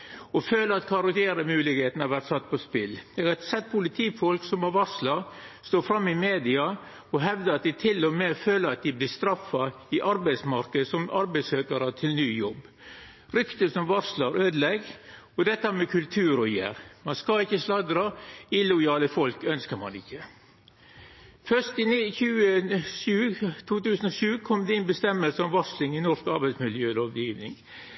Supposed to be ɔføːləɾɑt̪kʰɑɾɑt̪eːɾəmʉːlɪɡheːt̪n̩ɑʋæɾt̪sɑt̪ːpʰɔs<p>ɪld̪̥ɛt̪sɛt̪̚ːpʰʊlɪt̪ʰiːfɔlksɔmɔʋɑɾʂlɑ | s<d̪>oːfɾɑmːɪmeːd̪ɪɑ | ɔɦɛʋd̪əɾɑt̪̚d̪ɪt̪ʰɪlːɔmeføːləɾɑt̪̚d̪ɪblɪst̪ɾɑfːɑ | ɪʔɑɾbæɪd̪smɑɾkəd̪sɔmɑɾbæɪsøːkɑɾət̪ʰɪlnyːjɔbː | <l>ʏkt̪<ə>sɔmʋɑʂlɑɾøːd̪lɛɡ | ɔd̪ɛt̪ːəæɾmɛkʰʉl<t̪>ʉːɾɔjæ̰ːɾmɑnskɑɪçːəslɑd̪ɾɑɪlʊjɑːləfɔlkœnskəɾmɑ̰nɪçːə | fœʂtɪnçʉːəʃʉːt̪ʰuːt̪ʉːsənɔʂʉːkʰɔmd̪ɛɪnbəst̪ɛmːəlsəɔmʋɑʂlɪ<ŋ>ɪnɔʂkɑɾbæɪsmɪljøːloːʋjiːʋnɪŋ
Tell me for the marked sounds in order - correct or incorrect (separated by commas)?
correct, incorrect, incorrect, correct, incorrect, correct